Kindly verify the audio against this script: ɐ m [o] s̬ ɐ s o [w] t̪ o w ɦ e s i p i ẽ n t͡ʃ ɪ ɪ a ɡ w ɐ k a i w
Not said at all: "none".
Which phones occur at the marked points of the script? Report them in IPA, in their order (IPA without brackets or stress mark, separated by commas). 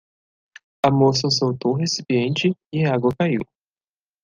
o, w